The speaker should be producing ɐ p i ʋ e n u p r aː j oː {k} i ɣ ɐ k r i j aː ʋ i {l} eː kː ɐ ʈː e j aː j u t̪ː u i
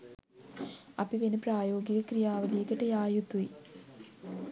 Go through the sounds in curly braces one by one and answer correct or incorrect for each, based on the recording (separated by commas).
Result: incorrect, correct